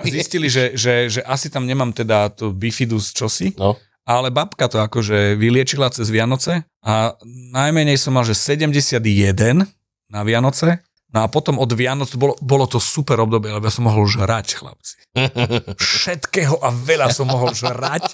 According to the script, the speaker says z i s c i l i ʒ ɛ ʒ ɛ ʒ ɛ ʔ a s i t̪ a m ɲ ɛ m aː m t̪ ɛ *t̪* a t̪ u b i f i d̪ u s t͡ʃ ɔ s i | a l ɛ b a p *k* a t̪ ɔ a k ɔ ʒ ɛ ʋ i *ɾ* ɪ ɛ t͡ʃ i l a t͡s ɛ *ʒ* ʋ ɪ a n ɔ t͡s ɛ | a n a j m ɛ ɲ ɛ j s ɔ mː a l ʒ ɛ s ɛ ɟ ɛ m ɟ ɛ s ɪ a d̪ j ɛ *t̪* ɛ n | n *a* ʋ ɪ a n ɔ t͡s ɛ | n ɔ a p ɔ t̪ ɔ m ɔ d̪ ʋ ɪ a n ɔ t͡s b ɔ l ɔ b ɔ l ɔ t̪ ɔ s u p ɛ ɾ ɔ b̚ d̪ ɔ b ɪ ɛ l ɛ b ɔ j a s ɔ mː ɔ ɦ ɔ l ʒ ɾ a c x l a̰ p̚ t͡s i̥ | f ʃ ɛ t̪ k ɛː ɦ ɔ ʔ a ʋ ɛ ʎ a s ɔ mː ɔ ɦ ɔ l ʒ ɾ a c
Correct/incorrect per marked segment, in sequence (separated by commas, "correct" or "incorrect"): incorrect, correct, incorrect, incorrect, incorrect, correct